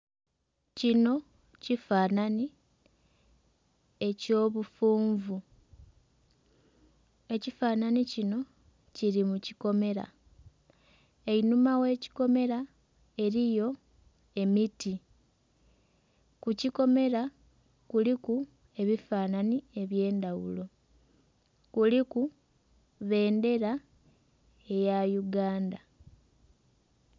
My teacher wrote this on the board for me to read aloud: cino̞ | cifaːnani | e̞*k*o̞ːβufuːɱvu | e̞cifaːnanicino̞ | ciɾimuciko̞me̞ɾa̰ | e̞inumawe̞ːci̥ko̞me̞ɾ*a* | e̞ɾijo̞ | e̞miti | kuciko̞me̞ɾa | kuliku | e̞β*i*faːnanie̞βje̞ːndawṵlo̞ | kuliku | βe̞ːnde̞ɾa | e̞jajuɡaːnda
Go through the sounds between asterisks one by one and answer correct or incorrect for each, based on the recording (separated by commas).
incorrect, correct, correct